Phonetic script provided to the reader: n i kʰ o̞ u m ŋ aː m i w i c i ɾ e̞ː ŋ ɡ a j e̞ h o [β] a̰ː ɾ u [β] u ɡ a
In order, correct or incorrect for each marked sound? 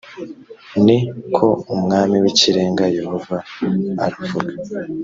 incorrect, incorrect

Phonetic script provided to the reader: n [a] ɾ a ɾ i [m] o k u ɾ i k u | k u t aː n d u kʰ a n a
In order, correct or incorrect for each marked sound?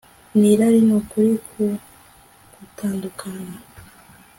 incorrect, incorrect

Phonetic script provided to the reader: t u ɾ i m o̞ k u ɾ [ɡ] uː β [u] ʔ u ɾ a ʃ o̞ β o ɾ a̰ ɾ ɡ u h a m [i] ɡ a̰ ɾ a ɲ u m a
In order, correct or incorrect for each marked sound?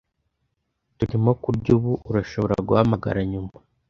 incorrect, correct, incorrect

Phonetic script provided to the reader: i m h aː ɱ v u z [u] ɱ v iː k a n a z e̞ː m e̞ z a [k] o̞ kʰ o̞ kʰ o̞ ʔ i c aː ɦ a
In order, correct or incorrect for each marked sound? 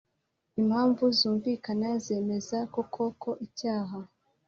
incorrect, correct

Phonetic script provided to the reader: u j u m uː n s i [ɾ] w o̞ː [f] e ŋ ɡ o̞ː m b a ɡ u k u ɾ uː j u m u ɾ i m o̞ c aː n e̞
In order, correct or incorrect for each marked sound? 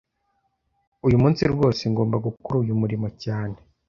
correct, incorrect

